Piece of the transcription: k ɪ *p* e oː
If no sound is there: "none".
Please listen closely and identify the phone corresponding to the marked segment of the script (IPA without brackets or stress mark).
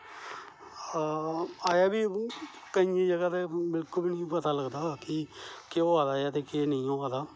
k